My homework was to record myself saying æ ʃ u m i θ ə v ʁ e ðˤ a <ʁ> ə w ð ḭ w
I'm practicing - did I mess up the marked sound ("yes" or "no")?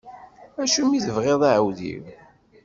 yes